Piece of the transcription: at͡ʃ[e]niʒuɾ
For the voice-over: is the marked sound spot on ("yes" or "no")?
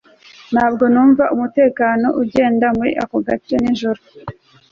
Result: yes